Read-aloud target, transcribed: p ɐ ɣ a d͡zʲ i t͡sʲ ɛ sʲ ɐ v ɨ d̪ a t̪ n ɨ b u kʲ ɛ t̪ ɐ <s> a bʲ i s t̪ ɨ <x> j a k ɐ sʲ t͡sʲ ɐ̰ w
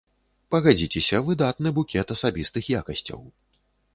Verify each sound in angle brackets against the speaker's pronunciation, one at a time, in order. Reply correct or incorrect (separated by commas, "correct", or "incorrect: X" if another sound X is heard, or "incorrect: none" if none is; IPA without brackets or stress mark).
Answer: correct, correct